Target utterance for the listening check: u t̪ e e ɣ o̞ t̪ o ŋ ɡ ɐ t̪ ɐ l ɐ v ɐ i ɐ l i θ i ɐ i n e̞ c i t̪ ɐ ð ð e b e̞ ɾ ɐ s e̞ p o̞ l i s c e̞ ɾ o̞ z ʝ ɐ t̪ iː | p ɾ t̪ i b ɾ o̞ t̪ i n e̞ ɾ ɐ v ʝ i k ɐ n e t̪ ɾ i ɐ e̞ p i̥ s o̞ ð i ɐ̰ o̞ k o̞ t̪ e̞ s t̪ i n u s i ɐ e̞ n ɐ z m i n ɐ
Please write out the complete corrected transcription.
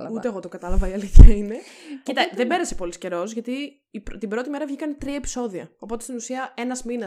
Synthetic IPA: u t̪ e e ɣ o̞ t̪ o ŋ ɡ ɐ t̪ ɐ l ɐ v ɐ i ɐ l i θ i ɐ i n e̞ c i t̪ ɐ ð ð e b e̞ ɾ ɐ s e̞ p o̞ l i s c e̞ ɾ o̞ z ʝ ɐ t̪ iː | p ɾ t̪ i b ɾ o̞ t̪ i m e̞ ɾ ɐ v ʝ i k ɐ n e t̪ ɾ i ɐ e̞ p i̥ s o̞ ð i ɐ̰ o̞ p o̞ t̪ e̞ s t̪ i n u s i ɐ e̞ n ɐ z m i n ɐ